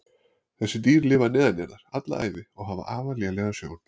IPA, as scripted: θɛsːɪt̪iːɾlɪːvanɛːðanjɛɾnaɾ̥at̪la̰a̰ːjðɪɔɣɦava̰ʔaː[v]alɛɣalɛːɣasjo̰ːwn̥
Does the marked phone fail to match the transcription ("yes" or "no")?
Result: no